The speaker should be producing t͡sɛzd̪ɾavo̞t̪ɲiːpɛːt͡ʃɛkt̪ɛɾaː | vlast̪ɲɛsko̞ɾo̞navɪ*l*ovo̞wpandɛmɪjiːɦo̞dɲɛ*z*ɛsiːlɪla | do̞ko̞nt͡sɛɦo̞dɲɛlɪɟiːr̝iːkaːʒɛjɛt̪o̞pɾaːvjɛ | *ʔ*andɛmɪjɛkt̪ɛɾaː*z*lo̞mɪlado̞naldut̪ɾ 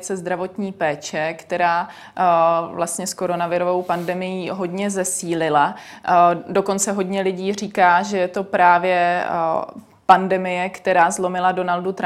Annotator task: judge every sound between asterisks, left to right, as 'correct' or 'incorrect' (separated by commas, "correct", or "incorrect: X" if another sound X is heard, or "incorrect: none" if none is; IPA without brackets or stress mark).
incorrect: ɾ, correct, incorrect: p, correct